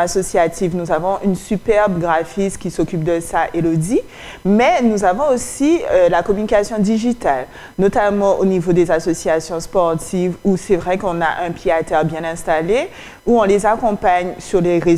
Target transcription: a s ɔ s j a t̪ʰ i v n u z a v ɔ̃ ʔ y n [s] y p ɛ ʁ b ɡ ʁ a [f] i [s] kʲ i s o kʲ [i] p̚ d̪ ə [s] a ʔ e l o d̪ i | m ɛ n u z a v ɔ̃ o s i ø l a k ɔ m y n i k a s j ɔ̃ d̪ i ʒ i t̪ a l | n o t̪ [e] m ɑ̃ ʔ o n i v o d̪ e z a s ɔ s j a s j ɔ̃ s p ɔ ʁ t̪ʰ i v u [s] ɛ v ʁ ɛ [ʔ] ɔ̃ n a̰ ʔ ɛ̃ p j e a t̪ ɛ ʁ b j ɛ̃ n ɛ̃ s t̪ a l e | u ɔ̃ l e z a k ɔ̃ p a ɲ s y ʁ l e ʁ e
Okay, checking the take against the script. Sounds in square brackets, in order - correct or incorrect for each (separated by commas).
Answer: correct, correct, correct, incorrect, correct, incorrect, correct, incorrect